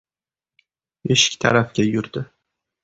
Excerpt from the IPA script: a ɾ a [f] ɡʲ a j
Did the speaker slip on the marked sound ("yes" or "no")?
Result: no